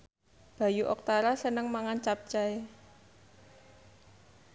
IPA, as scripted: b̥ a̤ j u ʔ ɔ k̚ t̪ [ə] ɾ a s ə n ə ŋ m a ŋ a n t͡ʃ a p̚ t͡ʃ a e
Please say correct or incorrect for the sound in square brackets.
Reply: incorrect